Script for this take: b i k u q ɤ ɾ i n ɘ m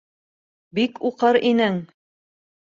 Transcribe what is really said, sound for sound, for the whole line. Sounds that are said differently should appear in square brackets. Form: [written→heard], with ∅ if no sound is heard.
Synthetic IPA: b i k u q ɤ ɾ i n ɘ [m→ŋ]